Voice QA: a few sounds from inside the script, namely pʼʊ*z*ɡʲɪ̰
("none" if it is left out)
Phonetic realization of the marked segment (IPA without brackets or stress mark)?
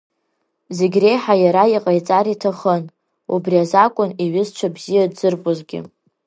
z